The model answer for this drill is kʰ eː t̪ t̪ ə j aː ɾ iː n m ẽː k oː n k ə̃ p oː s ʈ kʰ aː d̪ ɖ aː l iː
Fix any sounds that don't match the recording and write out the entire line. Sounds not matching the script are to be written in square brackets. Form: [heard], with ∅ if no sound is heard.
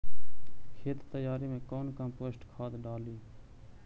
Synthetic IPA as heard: kʰ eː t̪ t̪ ə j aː ɾ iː [∅] m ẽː k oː n k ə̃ p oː s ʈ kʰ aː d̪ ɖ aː l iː